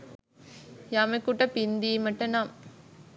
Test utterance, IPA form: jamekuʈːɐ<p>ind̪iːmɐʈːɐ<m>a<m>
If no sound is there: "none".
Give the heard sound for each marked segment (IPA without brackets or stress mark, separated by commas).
p, n, m